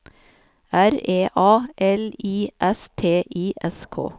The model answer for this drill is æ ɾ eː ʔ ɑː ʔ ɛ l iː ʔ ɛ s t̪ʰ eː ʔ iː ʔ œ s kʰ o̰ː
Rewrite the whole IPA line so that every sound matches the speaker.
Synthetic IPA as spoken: æ ɾ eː ʔ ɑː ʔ ɛ l iː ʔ ɛ s t̪ʰ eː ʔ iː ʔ ɛ s kʰ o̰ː